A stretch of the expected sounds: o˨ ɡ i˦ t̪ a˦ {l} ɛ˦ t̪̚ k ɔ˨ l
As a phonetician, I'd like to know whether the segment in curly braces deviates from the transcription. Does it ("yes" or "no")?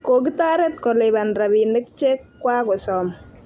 yes